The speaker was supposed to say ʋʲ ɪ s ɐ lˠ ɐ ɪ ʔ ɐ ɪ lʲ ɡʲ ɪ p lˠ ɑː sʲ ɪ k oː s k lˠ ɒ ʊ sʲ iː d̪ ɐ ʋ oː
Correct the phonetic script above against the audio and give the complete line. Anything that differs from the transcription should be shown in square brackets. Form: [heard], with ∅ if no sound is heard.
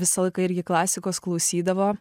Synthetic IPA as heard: ʋʲ ɪ s ɐ lˠ ɐ ɪ [k] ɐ ɪ [ɾʲ] ɡʲ ɪ [k] lˠ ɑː sʲ ɪ k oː s k lˠ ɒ ʊ sʲ iː d̪ ɐ ʋ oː

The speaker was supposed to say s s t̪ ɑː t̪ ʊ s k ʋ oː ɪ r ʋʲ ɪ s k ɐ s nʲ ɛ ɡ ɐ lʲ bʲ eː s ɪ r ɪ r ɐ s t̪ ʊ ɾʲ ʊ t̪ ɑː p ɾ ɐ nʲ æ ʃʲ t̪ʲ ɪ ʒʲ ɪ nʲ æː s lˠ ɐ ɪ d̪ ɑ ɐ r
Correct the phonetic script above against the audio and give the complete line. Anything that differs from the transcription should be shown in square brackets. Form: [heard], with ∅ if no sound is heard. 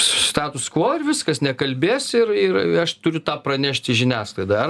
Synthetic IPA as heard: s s t̪ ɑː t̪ ʊ s k ʋ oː ɪ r ʋʲ ɪ s k ɐ s nʲ ɛ [k] ɐ lʲ bʲ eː s ɪ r ɪ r ɐ [ʃ] t̪ ʊ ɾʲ ʊ t̪ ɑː p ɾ ɐ nʲ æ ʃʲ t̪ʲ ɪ ʒʲ ɪ nʲ æː s lˠ ɐ ɪ d̪ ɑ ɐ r

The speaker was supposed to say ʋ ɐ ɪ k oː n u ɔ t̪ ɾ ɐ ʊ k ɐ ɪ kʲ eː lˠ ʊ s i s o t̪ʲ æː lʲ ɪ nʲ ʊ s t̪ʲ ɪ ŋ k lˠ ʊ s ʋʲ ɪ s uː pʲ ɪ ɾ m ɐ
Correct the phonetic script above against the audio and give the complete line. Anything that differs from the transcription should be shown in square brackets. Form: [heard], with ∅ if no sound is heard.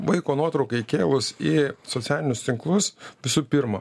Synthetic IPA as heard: ʋ ɐ ɪ k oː n u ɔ t̪ ɾ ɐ ʊ k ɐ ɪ kʲ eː lˠ ʊ s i s o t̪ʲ æː lʲ ɪ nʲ ʊ s t̪ʲ ɪ ŋ k lˠ ʊ s ʋʲ ɪ s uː pʲ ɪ ɾ m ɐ

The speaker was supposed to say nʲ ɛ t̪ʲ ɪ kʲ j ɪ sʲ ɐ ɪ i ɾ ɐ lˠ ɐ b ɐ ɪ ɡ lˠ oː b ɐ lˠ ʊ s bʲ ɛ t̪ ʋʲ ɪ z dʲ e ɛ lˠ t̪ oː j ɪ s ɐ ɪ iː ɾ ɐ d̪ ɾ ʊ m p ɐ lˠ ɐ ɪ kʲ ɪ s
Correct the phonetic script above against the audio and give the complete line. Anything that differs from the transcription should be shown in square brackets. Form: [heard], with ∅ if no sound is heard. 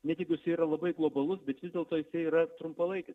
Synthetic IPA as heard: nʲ ɛ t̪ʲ ɪ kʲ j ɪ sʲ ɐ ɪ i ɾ ɐ lˠ ɐ b ɐ ɪ ɡ lˠ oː b ɐ lˠ ʊ s bʲ ɛ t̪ ʋʲ ɪ z dʲ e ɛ lˠ t̪ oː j ɪ s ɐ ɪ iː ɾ ɐ [t̪] ɾ ʊ m p ɐ lˠ ɐ ɪ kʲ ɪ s

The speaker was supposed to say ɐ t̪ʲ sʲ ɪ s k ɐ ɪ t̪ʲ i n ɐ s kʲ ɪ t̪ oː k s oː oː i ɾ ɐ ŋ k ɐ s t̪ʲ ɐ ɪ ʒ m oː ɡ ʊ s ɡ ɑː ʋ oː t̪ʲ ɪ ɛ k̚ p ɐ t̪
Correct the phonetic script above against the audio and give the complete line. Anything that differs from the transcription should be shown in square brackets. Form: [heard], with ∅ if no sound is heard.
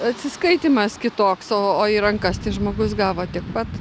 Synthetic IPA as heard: ɐ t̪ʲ sʲ ɪ s k ɐ ɪ t̪ʲ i [m] ɐ s kʲ ɪ t̪ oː k s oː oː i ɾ ɐ ŋ k ɐ s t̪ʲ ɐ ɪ ʒ m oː ɡ ʊ s ɡ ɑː ʋ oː t̪ʲ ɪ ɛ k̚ p ɐ t̪

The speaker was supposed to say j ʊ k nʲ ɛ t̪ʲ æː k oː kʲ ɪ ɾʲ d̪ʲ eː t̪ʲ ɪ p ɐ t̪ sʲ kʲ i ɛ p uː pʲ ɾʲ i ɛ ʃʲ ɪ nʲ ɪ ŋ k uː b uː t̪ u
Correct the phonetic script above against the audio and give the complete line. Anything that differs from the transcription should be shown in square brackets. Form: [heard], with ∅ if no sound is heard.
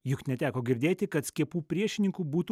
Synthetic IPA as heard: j ʊ k nʲ ɛ t̪ʲ æː k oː [ɡʲ] ɪ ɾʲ d̪ʲ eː t̪ʲ ɪ [k] ɐ t̪ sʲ kʲ i ɛ p uː pʲ ɾʲ i ɛ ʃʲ ɪ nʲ ɪ ŋ k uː b uː t̪ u

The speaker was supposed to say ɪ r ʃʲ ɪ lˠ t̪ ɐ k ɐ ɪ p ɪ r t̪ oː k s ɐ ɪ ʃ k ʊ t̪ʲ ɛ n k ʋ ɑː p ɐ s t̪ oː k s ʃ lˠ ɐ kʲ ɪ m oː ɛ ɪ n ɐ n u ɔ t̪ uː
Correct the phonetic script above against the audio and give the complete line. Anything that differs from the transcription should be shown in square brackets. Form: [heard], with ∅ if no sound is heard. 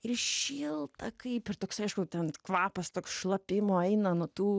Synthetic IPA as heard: ɪ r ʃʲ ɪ lˠ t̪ ɐ k ɐ ɪ p ɪ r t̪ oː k s ɐ ɪ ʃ k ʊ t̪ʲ ɛ n k ʋ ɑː p ɐ s t̪ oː k s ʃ lˠ ɐ [pʲ] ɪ m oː ɛ ɪ n ɐ n u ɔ t̪ uː

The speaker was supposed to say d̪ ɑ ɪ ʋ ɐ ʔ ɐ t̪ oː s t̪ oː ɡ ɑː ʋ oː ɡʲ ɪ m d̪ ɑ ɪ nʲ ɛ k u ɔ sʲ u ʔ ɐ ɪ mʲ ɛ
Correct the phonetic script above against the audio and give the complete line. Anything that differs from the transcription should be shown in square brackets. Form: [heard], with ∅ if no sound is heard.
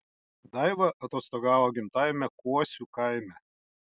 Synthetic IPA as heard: d̪ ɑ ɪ ʋ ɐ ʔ ɐ t̪ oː s t̪ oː ɡ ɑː ʋ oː ɡʲ ɪ m [t̪] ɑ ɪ [mʲ] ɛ k u ɔ sʲ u [k] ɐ ɪ mʲ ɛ

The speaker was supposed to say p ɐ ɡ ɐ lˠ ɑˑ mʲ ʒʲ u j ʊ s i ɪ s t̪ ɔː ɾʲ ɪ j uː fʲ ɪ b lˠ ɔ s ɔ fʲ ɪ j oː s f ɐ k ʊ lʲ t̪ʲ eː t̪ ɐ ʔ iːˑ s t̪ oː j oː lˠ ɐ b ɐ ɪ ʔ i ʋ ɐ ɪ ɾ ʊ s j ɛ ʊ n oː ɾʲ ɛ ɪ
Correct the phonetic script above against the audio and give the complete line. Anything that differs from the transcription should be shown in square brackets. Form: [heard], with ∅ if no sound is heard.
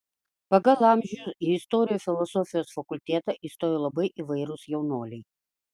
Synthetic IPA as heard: p ɐ ɡ ɐ lˠ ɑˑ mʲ ʒʲ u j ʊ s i ɪ s t̪ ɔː ɾʲ ɪ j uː fʲ ɪ [∅] lˠ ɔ s ɔ fʲ ɪ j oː s f ɐ k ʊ lʲ t̪ʲ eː t̪ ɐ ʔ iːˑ s t̪ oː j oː lˠ ɐ b ɐ ɪ ʔ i ʋ ɐ ɪ ɾ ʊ s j ɛ ʊ n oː [lʲ] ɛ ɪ

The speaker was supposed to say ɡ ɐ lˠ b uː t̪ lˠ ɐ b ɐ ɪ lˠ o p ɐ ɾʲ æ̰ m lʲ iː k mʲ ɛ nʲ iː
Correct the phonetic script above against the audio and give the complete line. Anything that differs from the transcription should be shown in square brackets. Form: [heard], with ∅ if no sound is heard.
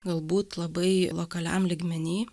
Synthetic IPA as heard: ɡ ɐ lˠ b uː t̪ lˠ ɐ b ɐ ɪ lˠ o [k] ɐ [lʲ] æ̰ m lʲ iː [ɡ] mʲ ɛ nʲ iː

